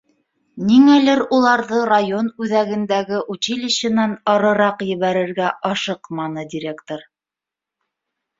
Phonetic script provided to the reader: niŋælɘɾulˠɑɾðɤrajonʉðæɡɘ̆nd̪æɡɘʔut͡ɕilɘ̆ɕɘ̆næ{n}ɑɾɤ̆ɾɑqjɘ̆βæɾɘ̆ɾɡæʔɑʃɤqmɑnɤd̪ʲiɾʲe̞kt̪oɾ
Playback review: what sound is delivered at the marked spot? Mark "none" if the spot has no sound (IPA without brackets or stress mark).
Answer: n